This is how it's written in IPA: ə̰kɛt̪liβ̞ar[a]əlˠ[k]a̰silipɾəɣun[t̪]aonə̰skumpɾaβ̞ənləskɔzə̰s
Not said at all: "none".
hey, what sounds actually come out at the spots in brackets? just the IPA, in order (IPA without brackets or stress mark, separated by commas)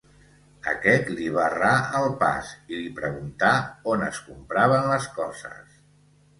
a, p, t̪